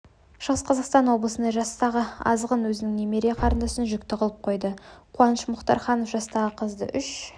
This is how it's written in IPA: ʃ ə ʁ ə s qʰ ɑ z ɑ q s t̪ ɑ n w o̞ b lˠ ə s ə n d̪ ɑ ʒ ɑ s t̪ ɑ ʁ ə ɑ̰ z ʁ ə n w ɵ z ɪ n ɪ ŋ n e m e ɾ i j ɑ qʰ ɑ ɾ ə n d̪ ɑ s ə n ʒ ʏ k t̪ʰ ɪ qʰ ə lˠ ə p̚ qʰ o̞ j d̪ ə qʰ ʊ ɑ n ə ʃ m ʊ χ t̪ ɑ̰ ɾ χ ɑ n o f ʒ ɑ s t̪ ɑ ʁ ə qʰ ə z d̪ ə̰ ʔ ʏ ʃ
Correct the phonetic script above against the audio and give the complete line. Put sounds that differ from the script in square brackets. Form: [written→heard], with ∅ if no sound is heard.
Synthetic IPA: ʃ ə ʁ ə s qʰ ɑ z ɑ q s t̪ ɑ n w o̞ b lˠ ə s ə n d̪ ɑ ʒ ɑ s t̪ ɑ ʁ ə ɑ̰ z ʁ ə n w ɵ z ɪ n ɪ ŋ n e m e ɾ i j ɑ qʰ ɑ ɾ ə n d̪ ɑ s ə n ʒ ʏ k [t̪ʰ→t̪] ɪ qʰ ə lˠ ə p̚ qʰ o̞ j d̪ ə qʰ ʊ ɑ n ə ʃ m ʊ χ t̪ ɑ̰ ɾ χ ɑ n o f ʒ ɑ s t̪ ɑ ʁ ə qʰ ə z d̪ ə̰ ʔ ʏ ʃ